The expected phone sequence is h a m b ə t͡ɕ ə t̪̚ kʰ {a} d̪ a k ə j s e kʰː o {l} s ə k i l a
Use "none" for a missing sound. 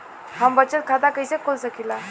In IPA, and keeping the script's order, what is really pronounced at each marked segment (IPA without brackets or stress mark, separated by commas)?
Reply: a, l